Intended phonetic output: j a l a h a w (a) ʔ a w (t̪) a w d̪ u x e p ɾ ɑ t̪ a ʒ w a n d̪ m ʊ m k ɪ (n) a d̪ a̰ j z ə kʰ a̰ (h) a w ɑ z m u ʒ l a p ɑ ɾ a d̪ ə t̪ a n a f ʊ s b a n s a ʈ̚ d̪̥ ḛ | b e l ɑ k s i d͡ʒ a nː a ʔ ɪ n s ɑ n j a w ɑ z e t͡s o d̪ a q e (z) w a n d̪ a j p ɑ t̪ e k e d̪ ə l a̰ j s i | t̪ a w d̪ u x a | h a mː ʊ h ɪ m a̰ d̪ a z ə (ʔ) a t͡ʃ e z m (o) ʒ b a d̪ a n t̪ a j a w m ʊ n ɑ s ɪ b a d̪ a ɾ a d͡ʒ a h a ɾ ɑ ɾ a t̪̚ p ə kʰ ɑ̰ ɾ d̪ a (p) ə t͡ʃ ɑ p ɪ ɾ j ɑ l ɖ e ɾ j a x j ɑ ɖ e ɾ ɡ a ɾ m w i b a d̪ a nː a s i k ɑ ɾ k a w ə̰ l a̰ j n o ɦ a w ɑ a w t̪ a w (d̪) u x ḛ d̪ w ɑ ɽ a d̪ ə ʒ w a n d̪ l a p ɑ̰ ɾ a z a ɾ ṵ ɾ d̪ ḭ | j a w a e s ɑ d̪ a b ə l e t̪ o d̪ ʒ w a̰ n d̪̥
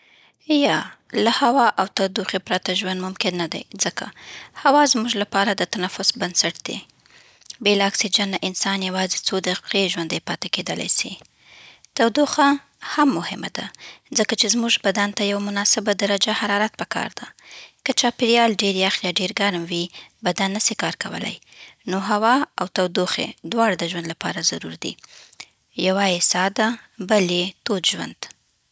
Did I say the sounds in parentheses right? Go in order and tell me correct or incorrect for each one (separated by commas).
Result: incorrect, correct, incorrect, correct, incorrect, incorrect, incorrect, incorrect, correct